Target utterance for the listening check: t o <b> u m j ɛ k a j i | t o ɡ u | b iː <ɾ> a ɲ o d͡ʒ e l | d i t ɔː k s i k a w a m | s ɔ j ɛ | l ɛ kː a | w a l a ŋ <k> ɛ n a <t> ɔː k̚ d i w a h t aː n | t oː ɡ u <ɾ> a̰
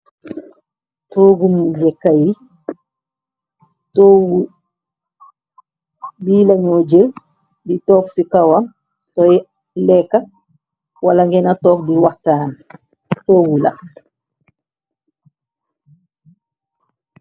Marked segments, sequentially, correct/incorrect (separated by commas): incorrect, incorrect, incorrect, correct, incorrect